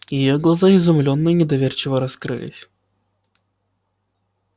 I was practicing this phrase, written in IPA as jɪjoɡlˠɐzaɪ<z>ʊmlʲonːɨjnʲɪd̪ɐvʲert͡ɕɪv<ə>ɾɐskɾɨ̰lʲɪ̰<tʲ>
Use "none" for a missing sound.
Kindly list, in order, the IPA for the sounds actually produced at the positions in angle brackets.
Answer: z, ə, sʲ

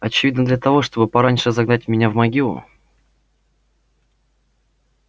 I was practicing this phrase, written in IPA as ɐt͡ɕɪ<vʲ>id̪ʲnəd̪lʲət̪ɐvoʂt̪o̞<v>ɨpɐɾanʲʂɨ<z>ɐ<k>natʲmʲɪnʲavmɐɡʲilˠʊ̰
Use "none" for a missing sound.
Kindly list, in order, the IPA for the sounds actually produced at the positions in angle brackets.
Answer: vʲ, b, z, ɡ

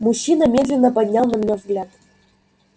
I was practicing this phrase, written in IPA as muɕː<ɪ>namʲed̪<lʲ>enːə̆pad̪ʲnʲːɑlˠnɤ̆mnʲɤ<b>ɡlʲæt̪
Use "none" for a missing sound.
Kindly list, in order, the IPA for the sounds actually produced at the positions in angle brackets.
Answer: i, lʲ, v

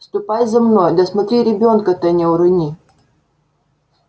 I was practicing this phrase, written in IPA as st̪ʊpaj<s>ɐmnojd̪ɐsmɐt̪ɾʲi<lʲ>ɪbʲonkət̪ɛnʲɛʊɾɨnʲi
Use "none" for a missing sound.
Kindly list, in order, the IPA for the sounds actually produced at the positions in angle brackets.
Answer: z, ɾʲ

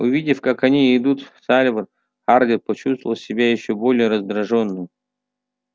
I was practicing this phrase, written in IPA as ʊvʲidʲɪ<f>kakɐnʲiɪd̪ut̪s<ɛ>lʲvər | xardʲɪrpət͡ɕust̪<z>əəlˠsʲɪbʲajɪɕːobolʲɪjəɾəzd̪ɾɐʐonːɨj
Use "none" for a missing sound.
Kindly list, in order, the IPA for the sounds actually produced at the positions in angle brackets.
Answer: f, a, v

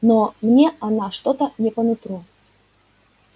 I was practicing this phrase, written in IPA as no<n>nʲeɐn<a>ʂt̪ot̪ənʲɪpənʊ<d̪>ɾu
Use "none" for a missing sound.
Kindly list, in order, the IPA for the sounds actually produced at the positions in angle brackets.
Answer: m, a, t̪

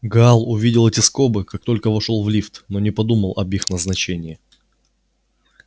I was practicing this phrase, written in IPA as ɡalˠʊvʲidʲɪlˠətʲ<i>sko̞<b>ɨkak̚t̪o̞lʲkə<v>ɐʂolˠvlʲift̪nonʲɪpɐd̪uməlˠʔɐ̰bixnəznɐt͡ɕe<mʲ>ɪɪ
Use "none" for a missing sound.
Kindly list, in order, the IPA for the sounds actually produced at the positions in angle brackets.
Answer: ɪ, b, v, nʲ

